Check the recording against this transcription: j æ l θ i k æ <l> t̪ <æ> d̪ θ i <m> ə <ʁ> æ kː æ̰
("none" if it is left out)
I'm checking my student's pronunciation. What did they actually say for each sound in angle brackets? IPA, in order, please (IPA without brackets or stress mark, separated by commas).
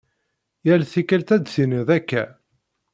l, æ, n, ð